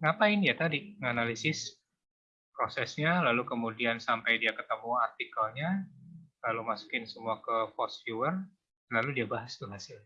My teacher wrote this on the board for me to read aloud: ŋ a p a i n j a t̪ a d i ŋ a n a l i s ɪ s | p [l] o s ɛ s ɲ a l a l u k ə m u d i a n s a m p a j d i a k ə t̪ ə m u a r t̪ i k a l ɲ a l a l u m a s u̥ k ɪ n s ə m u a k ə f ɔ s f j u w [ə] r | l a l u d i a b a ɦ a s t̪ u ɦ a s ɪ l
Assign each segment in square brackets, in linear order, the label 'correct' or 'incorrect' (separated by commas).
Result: incorrect, correct